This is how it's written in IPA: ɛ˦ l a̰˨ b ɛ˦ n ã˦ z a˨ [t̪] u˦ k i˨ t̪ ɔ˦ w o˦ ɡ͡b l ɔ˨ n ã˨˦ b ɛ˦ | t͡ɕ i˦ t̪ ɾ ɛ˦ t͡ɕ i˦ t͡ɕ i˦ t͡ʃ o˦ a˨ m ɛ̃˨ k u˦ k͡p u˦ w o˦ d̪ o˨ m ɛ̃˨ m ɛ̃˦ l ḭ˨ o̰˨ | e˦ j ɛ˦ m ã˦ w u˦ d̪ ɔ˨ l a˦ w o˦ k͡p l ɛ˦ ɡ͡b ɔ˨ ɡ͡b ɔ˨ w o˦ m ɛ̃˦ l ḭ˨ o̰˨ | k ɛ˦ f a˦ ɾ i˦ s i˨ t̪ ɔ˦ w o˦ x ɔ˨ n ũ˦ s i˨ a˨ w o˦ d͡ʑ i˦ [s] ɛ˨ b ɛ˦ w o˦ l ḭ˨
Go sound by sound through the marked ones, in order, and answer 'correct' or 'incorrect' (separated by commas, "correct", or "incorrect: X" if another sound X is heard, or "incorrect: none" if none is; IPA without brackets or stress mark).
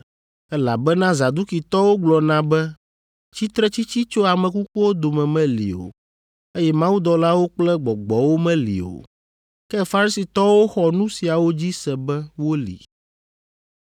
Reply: incorrect: d̪, correct